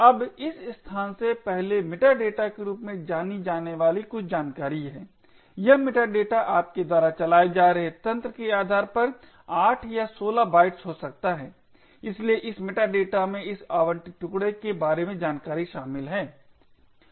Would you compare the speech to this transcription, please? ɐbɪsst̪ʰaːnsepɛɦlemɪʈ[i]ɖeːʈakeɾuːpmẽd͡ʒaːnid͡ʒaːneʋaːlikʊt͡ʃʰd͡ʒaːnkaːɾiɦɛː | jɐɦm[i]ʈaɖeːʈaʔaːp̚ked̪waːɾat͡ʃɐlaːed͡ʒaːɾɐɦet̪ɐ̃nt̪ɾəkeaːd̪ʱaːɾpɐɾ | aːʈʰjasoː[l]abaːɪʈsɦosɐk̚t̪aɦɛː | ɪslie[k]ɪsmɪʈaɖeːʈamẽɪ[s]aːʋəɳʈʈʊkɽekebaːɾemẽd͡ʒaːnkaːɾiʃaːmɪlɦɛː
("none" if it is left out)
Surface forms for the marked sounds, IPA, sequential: a, ɪ, l, ʔ, s

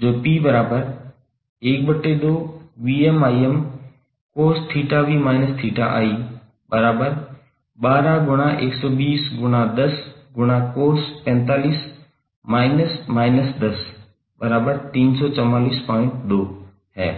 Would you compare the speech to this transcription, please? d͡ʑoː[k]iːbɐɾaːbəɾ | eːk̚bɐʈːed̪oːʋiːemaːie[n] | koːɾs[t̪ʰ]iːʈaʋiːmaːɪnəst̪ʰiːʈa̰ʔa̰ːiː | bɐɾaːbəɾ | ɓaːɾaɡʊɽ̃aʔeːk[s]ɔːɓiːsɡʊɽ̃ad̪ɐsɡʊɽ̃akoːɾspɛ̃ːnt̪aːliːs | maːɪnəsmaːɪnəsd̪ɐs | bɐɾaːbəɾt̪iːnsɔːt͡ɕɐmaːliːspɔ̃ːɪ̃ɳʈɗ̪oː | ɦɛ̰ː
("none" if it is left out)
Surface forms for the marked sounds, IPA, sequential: p, m, t̪ʰ, s

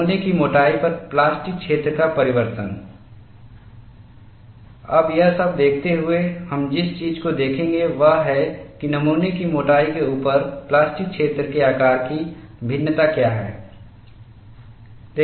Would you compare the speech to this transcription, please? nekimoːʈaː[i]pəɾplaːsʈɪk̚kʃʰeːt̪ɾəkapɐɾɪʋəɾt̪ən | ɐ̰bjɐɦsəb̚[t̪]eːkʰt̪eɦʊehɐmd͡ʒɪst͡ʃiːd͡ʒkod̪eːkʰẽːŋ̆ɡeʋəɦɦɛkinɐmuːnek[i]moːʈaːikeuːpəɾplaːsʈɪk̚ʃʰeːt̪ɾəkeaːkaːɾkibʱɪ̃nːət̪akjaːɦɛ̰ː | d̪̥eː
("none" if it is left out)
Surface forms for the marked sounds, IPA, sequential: i, d̪, i

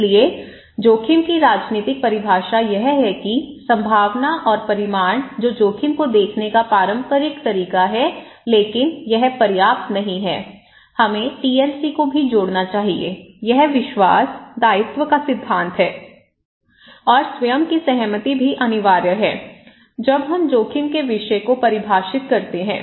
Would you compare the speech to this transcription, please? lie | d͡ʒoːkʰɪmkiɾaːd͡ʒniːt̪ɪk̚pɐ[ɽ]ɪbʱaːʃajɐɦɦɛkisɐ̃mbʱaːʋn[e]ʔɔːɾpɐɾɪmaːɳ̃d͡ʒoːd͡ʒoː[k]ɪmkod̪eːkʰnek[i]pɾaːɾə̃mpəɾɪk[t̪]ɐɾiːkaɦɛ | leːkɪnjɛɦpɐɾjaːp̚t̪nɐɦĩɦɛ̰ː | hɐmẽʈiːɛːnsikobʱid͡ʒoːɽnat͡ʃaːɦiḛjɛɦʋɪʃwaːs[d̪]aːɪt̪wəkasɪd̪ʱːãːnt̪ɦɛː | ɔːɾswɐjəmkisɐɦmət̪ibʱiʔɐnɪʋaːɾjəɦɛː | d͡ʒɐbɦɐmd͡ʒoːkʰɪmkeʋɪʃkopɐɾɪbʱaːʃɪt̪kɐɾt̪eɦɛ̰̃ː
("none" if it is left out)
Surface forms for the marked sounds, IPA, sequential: ɾ, a, kʰ, a, t̪, d̪

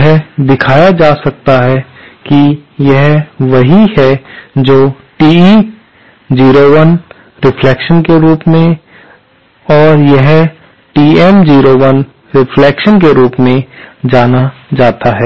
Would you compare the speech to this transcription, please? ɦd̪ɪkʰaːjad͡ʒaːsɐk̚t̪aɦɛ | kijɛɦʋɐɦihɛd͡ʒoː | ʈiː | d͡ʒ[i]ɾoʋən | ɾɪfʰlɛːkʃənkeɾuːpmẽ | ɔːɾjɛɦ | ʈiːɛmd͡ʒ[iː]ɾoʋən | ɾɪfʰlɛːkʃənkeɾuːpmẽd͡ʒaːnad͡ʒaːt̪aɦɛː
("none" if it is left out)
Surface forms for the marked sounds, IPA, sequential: iː, iː

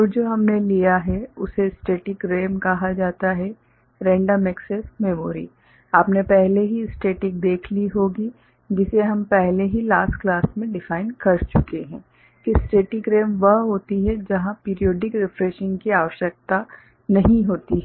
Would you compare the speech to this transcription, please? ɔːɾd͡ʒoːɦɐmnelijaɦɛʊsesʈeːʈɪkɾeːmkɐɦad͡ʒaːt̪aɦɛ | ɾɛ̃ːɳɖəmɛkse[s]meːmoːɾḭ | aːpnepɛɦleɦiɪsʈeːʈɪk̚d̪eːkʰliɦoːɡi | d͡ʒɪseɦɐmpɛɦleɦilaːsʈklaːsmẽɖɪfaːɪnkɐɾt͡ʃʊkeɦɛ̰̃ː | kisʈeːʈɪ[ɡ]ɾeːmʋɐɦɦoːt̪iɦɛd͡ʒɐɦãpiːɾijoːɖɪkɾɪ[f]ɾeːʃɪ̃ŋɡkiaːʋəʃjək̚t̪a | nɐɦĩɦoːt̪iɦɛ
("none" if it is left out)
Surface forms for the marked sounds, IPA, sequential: s, k, f

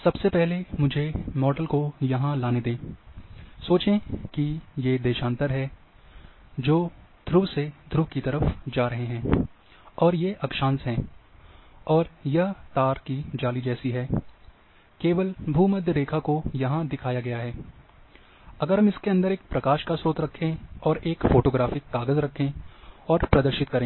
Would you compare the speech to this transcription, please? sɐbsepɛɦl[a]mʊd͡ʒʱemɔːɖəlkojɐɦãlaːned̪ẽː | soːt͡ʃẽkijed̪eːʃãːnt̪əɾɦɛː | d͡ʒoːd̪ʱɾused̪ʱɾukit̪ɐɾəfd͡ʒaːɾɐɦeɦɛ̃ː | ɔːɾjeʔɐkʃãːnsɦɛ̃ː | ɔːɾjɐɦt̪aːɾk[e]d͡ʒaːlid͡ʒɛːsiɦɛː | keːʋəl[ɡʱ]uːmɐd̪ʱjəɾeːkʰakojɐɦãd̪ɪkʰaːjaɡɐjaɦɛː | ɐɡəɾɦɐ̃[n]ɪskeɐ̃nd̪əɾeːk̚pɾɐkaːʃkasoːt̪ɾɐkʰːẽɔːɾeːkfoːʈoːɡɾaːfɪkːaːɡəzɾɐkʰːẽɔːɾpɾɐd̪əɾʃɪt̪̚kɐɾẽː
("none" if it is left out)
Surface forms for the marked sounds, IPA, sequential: e, i, bʱ, m

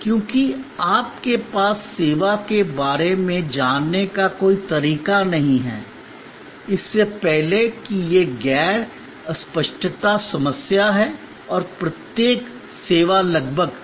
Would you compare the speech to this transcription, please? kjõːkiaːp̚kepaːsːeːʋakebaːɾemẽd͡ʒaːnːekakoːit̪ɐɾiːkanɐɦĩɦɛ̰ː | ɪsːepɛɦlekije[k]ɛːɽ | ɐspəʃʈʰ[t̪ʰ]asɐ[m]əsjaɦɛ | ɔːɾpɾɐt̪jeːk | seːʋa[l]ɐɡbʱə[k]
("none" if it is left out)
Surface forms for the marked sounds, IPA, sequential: ɡ, t̪, m, l, ɡ

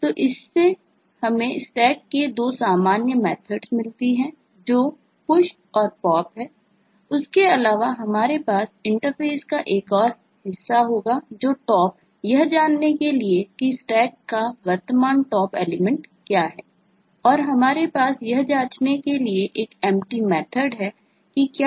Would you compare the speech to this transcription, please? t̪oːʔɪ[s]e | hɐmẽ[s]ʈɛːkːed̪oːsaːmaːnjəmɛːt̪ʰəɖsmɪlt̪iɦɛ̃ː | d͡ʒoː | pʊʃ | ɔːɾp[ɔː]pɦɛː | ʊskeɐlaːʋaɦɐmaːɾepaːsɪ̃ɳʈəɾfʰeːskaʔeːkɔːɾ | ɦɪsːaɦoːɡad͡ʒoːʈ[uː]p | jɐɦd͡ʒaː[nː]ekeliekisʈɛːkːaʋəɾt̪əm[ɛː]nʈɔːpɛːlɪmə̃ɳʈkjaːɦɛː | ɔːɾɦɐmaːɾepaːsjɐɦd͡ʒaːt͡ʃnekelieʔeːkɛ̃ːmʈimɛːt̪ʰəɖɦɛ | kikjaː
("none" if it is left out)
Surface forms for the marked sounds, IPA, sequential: sː, s, ɔː, ɔː, nː, aː

